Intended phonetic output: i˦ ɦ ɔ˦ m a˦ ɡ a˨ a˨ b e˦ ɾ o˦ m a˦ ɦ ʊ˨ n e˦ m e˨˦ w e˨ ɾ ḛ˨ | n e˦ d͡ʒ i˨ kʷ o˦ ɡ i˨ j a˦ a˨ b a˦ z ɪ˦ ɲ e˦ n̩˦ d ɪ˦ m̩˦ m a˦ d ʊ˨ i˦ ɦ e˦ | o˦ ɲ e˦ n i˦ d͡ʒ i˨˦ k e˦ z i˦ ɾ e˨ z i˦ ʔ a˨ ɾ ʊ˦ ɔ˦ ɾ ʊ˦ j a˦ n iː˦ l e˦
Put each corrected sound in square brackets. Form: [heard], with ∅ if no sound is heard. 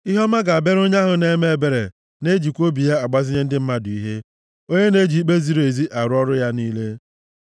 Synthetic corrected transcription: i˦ ɦ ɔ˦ m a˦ ɡ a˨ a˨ b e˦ ɾ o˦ [ɲ] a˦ ɦ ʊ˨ n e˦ m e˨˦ [b] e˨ ɾ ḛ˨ | n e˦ d͡ʒ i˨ kʷ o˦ [b] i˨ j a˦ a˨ [ɡ͡b] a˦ z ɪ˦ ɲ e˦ n̩˦ d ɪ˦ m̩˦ m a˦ d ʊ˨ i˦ ɦ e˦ | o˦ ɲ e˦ n [e˦] d͡ʒ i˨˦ [k͡p] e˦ z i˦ ɾ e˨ z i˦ ʔ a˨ ɾ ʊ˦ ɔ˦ ɾ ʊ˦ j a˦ n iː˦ l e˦